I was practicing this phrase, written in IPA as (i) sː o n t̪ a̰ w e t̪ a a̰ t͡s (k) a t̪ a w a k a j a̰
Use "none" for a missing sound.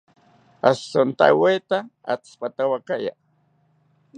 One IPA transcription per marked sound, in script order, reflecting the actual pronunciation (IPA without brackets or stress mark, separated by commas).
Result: a, p